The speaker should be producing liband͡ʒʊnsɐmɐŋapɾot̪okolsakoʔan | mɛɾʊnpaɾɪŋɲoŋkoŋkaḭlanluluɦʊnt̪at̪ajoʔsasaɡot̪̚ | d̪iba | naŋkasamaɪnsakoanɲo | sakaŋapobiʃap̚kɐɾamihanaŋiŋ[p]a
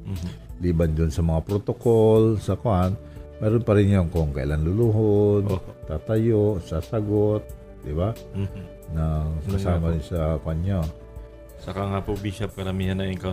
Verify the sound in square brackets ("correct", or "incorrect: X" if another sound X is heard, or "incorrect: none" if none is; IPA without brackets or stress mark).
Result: incorrect: k